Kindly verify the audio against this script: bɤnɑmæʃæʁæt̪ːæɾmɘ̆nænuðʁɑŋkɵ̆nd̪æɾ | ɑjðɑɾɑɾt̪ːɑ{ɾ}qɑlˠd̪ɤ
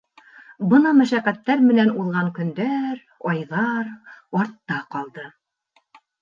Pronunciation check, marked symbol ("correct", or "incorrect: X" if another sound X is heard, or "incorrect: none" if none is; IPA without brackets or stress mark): incorrect: none